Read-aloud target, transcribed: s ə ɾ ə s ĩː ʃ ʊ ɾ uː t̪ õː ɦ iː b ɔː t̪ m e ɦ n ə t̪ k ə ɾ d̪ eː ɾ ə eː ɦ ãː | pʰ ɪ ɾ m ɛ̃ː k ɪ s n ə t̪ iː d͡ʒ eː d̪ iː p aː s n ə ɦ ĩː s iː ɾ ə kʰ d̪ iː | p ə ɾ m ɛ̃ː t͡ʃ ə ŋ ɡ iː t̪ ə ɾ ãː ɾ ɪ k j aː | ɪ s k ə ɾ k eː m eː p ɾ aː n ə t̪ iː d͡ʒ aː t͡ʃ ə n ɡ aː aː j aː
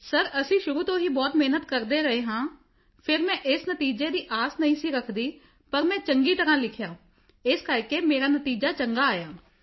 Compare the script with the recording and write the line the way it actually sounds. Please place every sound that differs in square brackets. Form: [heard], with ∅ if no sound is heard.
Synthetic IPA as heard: s ə ɾ ə s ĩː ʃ ʊ ɾ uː t̪ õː ɦ iː b ɔː t̪ m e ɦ n ə t̪ k ə ɾ d̪ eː ɾ ə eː ɦ ãː | pʰ ɪ ɾ m ɛ̃ː [ʔ] ɪ s n ə t̪ iː d͡ʒ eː d̪ iː [ʔ] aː s n ə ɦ ĩː s iː ɾ ə kʰ d̪ iː | p ə ɾ m ɛ̃ː t͡ʃ ə ŋ ɡ iː t̪ ə ɾ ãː [l] ɪ [kʰ] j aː | ɪ s k ə ɾ k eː m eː [∅] ɾ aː n ə t̪ iː d͡ʒ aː t͡ʃ ə [ŋ] ɡ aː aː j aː